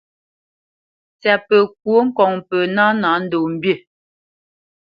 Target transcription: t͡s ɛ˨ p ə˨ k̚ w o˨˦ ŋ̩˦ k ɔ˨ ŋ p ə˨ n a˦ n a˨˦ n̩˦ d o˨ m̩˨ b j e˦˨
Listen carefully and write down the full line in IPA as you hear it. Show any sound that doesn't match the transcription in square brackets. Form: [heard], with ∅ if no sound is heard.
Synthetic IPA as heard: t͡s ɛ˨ p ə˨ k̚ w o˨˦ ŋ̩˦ k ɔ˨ ŋ p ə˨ n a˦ n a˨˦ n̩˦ d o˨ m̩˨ b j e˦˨